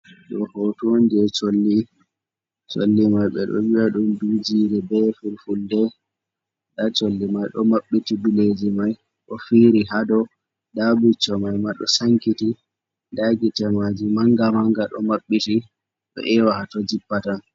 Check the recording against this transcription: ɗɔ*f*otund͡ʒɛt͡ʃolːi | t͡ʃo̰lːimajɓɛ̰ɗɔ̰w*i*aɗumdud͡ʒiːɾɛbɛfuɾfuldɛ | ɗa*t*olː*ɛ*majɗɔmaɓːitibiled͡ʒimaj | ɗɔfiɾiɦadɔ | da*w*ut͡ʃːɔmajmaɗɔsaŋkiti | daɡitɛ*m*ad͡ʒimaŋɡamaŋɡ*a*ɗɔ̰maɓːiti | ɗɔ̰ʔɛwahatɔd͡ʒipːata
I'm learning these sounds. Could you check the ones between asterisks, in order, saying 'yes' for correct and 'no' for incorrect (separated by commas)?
no, yes, no, no, no, yes, yes